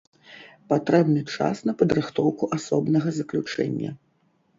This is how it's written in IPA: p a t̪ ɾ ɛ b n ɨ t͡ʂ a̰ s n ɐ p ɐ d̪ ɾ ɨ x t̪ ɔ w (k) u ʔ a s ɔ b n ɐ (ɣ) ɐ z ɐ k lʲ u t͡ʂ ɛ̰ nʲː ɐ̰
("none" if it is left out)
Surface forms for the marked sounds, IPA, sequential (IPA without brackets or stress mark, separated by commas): k, ɣ